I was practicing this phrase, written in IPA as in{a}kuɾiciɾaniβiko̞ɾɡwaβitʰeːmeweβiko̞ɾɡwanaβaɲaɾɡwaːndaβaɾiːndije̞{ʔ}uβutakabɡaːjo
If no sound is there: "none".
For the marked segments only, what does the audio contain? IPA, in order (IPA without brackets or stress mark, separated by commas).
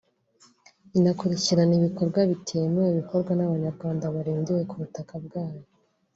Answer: a, k